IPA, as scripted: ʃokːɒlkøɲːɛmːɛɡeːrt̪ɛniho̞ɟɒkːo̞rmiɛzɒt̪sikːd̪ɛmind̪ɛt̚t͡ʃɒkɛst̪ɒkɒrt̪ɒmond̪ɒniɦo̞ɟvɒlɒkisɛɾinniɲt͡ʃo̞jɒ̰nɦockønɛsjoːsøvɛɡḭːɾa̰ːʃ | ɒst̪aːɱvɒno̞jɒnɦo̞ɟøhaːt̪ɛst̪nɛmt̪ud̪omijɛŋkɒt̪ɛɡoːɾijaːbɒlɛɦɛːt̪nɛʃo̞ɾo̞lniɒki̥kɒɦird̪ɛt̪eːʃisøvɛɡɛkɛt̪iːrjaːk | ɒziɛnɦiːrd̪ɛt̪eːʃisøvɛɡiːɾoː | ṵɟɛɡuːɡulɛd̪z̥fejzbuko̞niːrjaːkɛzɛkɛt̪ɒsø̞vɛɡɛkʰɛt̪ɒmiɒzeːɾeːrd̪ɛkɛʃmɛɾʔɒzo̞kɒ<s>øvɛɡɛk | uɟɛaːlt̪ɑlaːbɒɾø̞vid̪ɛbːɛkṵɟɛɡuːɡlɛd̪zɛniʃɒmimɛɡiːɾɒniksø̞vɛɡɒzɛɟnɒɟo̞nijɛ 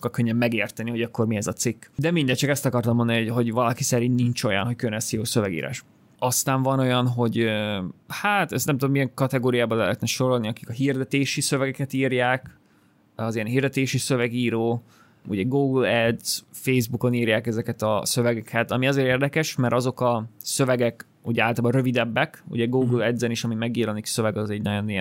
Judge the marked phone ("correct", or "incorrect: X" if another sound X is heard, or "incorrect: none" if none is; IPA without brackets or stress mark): correct